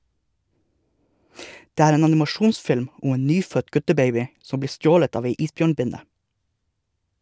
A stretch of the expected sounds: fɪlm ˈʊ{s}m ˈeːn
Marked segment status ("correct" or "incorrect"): incorrect